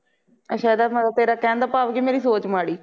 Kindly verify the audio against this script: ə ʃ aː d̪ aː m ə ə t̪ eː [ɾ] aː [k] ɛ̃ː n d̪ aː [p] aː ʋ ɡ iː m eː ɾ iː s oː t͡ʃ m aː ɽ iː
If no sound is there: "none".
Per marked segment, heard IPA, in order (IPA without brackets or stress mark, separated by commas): ɾ, k, p